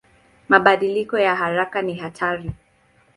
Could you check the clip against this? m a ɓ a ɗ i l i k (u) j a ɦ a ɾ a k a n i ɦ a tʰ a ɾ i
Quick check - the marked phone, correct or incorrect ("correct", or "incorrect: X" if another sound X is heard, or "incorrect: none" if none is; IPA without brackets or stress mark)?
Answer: incorrect: ɔ